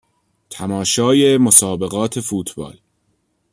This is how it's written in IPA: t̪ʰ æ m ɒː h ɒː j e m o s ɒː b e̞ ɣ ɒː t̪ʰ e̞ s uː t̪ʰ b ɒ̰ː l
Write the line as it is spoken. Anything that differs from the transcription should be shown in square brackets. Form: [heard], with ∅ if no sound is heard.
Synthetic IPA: t̪ʰ æ m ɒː [ʃ] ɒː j e m o s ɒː b e̞ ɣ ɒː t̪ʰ e̞ [f] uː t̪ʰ b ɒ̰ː l